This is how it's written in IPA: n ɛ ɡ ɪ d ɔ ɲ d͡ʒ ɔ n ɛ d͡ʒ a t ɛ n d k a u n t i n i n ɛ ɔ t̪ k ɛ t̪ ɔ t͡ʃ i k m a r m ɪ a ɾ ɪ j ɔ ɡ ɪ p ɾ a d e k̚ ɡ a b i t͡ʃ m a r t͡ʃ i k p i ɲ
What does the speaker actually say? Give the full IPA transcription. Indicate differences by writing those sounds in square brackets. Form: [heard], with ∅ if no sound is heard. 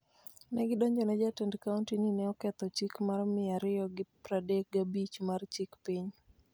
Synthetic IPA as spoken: n ɛ ɡ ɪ d ɔ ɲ d͡ʒ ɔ n ɛ d͡ʒ a t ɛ n d k a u n t i n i n ɛ ɔ [∅] k ɛ t̪ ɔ t͡ʃ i k m a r m ɪ a ɾ ɪ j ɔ ɡ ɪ p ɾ a d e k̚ ɡ a b i t͡ʃ m a r t͡ʃ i k p i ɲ